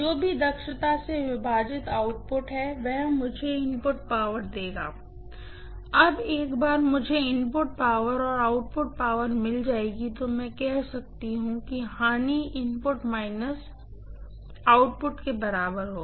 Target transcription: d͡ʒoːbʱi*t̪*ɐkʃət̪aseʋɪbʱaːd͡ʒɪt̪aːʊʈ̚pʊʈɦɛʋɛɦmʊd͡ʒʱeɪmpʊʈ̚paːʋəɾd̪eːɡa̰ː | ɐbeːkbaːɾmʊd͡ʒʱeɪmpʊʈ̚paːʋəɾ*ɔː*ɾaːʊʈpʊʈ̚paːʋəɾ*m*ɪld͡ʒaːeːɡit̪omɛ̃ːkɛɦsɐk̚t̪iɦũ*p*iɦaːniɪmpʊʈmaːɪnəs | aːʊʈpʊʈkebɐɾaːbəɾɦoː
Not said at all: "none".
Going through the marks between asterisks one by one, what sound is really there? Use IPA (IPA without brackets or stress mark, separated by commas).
d̪, ɔː, m, k